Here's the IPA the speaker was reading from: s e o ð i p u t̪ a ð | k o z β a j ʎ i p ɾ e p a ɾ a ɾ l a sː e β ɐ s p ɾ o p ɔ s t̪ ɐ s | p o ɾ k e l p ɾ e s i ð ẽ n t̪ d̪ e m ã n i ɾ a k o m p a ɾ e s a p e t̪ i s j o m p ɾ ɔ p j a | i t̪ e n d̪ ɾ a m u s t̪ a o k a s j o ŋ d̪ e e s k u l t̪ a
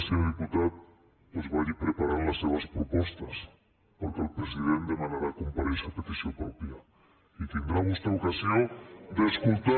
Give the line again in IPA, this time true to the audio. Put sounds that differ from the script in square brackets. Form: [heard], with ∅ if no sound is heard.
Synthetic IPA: s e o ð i p u t̪ a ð | [p] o z β a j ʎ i p ɾ e p a ɾ a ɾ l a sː e β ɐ s p ɾ o p ɔ s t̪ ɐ s | p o ɾ k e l p ɾ e s i ð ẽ n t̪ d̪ e m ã n [a] ɾ a k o m p a ɾ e s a p e t̪ i s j o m p ɾ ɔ p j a | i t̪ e n d̪ ɾ a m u s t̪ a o k a s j o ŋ d̪ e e s k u l t̪ a